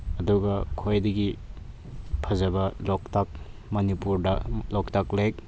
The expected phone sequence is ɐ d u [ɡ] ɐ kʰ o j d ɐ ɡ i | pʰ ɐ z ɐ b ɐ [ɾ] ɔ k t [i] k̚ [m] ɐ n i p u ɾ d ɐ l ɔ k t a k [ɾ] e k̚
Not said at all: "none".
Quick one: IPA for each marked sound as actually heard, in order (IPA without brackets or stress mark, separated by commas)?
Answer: ɡ, l, a, m, l